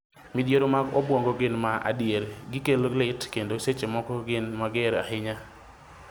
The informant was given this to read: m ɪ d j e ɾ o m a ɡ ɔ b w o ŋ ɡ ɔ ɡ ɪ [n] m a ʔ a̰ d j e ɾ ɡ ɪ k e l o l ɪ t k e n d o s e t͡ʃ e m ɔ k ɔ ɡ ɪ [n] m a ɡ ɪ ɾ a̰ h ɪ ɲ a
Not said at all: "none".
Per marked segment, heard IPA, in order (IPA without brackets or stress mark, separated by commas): n, n